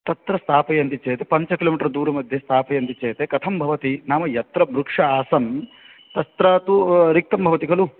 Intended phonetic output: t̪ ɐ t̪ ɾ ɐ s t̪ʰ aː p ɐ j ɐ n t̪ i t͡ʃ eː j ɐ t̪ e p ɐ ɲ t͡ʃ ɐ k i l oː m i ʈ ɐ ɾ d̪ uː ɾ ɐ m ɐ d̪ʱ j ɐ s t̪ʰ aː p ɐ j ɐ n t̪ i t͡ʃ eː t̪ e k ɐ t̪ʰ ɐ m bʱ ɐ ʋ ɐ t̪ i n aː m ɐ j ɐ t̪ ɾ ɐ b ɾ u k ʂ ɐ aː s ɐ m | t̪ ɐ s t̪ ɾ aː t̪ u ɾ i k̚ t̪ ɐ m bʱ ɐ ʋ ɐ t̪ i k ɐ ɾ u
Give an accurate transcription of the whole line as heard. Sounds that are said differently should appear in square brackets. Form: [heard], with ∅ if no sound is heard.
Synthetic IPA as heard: t̪ ɐ t̪ ɾ ɐ s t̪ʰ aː p ɐ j ɐ n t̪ i t͡ʃ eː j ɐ t̪ e p ɐ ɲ t͡ʃ ɐ k i l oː m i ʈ ɐ ɾ d̪ uː ɾ ɐ m ɐ d̪ʱ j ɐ s t̪ʰ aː p ɐ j ɐ n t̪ i t͡ʃ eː t̪ e k ɐ t̪ʰ ɐ m bʱ ɐ ʋ ɐ t̪ i n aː m ɐ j ɐ t̪ ɾ ɐ b ɾ u k ʂ ɐ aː s ɐ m | t̪ ɐ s t̪ ɾ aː t̪ u ɾ i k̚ t̪ ɐ m bʱ ɐ ʋ ɐ t̪ i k ɐ [l] u